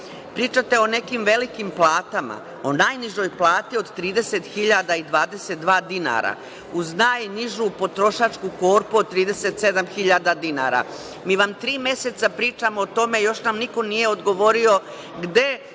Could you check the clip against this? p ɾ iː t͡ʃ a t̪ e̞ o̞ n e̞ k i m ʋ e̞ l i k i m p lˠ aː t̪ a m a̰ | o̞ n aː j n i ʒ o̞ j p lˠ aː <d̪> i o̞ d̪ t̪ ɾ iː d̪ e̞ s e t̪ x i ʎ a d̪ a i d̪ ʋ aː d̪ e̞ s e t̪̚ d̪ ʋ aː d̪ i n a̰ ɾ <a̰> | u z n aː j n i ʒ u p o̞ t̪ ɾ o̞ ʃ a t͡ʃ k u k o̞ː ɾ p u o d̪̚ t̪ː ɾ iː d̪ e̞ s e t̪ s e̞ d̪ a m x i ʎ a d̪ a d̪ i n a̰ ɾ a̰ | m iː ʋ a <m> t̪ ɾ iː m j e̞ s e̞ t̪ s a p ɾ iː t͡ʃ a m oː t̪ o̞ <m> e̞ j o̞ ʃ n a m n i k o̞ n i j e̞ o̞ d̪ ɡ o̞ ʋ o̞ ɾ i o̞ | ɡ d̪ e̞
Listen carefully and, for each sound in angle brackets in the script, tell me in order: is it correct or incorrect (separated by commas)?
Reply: incorrect, correct, correct, correct